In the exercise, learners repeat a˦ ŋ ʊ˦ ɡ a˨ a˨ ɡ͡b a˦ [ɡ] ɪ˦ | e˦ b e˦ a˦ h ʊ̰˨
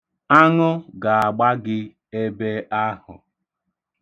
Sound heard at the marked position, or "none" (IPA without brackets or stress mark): ɡ